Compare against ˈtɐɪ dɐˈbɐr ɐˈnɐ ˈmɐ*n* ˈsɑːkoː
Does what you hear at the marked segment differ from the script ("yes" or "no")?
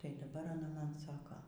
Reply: no